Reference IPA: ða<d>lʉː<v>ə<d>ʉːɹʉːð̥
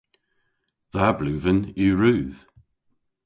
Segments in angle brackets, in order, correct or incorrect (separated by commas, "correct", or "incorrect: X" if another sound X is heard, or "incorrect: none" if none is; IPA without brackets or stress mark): incorrect: b, correct, incorrect: n